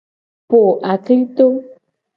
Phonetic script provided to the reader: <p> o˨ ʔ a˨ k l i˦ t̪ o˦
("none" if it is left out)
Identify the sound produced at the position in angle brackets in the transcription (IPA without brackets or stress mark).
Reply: p